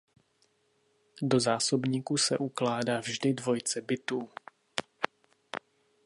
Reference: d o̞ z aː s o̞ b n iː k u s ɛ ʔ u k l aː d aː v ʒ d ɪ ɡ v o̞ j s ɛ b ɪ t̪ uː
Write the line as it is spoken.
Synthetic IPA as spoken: d o̞ z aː s o̞ b ɲ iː k u s ɛ ʔ u k l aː d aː v ʒ d ɪ d v o̞ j t͡s ɛ b ɪ t̪ uː